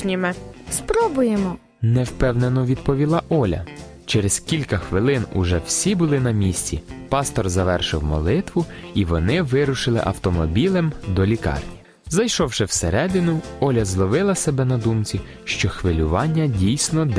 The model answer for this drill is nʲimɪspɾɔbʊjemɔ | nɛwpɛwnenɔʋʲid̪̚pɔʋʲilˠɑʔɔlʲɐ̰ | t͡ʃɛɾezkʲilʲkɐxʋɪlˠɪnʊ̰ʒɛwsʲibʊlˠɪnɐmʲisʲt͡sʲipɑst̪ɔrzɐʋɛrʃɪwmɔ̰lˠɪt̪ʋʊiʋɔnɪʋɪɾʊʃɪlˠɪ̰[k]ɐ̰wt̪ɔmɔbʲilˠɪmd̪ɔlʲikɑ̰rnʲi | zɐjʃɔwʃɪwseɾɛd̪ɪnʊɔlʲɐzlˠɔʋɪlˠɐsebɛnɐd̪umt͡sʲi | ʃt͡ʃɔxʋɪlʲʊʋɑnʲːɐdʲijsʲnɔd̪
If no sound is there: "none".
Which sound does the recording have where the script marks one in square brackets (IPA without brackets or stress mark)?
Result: ʔ